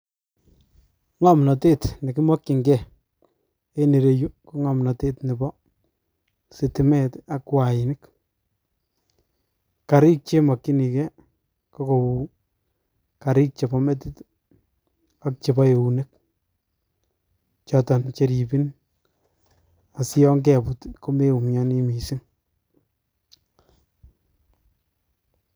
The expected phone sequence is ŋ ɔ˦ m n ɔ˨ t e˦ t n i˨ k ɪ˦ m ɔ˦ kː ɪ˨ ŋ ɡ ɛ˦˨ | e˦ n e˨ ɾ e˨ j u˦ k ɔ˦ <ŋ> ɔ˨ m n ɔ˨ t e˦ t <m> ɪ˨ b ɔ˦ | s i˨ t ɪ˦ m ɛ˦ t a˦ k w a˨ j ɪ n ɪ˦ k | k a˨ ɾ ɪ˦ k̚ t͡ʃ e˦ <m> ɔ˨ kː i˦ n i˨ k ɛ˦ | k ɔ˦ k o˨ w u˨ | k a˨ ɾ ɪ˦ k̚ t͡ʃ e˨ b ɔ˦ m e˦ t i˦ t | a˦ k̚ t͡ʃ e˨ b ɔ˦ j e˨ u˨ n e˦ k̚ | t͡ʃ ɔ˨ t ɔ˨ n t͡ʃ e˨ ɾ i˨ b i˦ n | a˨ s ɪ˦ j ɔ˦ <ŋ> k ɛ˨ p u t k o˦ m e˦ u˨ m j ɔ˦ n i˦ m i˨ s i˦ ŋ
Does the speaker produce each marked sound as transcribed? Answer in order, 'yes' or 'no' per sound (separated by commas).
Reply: yes, no, yes, yes